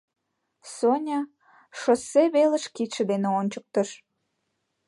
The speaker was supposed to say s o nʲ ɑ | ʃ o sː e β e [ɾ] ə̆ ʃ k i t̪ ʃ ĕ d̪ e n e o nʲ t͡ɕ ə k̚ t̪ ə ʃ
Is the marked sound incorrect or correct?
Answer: incorrect